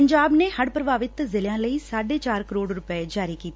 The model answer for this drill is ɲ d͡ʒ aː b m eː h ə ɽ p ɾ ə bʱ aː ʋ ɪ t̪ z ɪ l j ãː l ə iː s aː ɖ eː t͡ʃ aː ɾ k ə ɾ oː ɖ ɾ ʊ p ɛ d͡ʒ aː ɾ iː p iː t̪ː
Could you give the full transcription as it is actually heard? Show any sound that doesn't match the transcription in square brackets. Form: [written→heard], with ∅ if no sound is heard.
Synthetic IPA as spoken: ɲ d͡ʒ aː b [m→n] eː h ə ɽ p ɾ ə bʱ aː ʋ ɪ t̪ z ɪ l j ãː l ə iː s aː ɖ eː t͡ʃ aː ɾ k ə ɾ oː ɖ ɾ ʊ p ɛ d͡ʒ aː ɾ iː [p→k] iː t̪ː